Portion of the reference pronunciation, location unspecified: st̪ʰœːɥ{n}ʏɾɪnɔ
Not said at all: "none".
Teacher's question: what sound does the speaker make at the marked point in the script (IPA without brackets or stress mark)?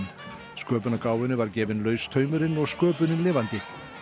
m